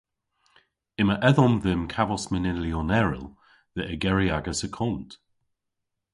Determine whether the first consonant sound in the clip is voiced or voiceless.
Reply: voiced